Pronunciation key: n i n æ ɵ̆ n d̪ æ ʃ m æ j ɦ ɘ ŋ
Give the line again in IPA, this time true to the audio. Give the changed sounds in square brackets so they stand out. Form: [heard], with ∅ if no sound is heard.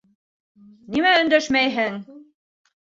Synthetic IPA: n i [m] æ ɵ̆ n d̪ æ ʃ m æ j ɦ ɘ ŋ